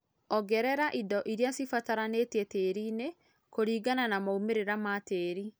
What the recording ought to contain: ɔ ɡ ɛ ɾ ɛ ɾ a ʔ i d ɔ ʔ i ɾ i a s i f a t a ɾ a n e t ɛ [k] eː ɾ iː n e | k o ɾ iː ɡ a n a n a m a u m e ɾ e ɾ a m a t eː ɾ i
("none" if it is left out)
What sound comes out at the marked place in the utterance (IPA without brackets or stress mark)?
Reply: t